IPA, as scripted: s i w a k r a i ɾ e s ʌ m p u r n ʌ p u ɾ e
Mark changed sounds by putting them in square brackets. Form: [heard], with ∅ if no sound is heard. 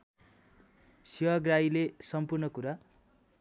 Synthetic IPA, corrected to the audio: s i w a [ɡ] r a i [l] e s ʌ m p u r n ʌ [k] u ɾ [a]